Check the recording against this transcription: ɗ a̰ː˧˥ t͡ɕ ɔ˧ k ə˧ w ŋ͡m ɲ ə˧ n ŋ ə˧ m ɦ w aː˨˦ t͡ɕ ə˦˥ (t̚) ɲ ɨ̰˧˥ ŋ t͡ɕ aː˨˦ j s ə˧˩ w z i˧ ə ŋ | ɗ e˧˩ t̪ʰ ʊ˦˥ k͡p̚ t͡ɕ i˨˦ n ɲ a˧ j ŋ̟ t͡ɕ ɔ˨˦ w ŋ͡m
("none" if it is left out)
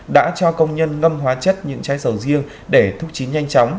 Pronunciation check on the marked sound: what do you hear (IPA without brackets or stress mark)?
t̚